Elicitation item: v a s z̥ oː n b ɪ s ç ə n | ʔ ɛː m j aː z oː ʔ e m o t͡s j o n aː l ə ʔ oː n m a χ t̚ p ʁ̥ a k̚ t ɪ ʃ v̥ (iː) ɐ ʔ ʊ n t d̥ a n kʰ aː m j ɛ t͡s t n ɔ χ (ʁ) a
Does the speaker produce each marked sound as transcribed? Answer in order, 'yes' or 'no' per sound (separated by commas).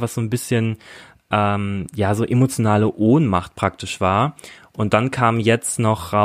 no, yes